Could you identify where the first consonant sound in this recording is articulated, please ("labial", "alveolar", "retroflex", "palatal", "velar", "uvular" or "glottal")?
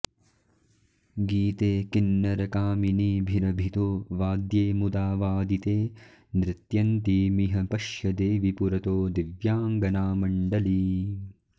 velar